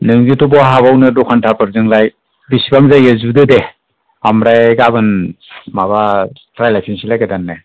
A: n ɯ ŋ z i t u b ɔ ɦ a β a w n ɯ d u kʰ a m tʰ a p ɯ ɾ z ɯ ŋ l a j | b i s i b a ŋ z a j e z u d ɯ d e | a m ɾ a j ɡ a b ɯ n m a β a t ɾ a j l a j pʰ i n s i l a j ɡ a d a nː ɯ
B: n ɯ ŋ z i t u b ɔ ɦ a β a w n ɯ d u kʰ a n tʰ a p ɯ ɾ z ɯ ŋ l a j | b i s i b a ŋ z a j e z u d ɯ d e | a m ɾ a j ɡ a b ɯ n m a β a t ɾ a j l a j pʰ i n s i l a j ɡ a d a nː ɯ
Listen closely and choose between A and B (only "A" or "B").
B